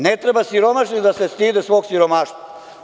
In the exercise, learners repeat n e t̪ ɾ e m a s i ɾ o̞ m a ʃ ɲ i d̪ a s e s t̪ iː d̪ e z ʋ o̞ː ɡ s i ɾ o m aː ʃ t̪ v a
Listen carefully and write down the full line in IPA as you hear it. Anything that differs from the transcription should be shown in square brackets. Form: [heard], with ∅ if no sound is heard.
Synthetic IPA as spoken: n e t̪ ɾ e [b] a s i ɾ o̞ m a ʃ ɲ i d̪ a s e s t̪ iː d̪ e [s] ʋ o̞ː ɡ s i ɾ o m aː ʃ t̪ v a